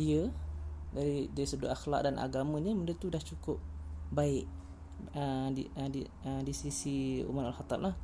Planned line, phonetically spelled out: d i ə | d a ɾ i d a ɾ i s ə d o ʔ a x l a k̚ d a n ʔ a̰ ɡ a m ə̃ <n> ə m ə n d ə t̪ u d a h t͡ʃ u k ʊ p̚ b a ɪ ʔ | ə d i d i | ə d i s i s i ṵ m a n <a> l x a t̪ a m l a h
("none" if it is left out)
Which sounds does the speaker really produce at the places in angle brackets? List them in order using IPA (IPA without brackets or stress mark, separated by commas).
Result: ɲ, a